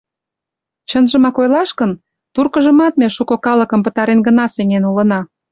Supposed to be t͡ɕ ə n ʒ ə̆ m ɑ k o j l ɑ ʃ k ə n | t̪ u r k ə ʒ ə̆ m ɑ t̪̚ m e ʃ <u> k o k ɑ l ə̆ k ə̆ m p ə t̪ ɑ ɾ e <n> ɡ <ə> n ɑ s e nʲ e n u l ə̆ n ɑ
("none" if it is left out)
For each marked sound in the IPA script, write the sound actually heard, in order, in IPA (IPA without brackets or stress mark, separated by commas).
u, n, ə